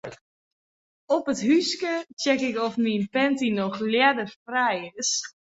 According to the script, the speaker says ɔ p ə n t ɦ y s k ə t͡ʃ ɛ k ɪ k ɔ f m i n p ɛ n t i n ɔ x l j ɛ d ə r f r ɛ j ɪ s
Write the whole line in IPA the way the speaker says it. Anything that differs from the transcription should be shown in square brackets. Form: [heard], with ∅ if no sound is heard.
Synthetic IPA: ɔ p ə [∅] t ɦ y s k ə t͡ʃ ɛ k ɪ k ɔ f m i n p ɛ n t i n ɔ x l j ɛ d ə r f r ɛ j ɪ s